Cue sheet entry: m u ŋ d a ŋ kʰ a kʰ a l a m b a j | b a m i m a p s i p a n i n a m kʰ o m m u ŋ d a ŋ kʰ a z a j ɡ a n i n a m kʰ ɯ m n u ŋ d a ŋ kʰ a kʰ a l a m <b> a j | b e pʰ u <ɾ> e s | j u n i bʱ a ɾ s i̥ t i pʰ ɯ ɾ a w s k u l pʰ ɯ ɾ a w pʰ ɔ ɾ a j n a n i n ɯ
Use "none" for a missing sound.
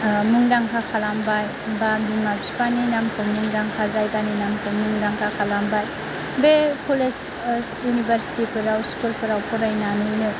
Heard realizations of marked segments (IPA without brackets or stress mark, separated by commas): b, l